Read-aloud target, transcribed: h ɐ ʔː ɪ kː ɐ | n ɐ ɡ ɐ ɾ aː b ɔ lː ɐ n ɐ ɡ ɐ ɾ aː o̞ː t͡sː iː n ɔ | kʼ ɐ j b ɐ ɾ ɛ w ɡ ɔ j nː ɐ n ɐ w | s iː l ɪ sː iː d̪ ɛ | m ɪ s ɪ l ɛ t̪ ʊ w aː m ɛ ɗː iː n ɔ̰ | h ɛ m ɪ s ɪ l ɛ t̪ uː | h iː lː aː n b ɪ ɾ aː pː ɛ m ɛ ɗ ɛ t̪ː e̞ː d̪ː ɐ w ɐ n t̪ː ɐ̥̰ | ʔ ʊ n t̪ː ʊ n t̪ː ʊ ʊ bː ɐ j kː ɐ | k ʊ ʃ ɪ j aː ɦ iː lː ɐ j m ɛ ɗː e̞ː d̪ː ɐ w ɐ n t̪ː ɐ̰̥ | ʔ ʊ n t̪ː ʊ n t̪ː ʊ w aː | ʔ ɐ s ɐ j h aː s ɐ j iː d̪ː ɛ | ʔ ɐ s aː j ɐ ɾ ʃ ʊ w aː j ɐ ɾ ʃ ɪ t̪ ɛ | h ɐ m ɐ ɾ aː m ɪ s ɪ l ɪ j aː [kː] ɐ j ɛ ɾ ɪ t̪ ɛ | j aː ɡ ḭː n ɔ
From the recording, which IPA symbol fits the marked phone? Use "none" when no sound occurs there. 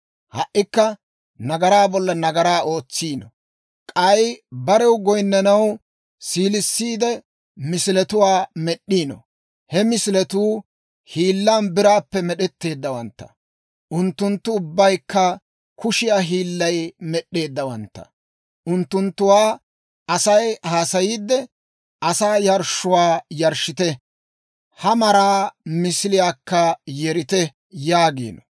kː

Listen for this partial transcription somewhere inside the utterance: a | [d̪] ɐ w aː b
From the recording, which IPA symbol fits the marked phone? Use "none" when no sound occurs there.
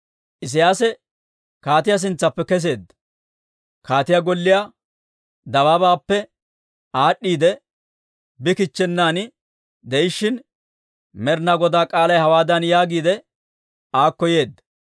d̪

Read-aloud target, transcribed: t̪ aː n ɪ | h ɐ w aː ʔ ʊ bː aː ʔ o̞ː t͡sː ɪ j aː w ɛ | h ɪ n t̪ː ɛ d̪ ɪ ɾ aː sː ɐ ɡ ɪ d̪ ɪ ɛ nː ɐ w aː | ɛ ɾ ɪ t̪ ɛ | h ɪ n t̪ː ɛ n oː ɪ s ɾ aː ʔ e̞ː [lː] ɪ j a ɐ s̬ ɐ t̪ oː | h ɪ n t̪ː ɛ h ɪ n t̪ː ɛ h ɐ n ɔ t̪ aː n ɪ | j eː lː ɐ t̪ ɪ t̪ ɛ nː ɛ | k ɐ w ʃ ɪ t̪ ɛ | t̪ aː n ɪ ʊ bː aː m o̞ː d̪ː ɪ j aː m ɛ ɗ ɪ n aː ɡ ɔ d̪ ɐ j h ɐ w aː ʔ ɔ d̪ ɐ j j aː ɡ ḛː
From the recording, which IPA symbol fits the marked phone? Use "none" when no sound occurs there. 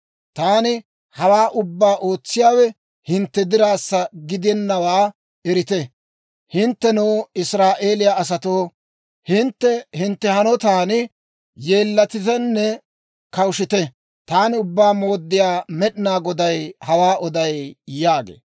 l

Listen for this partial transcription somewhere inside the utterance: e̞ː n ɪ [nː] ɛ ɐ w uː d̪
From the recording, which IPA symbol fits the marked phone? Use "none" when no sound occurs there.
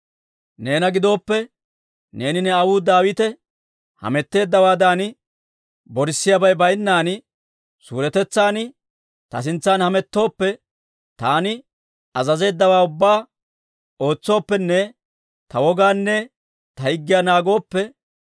n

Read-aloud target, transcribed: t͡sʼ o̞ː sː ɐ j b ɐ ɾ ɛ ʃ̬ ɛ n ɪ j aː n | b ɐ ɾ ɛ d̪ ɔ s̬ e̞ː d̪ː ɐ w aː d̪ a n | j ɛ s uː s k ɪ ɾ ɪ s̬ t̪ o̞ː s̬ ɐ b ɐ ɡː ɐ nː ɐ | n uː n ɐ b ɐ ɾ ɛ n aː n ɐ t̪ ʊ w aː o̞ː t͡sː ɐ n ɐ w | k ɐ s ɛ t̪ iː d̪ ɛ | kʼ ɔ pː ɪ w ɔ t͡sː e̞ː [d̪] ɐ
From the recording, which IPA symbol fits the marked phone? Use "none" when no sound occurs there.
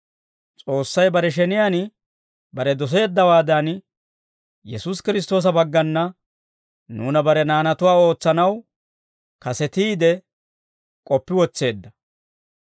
d̪ː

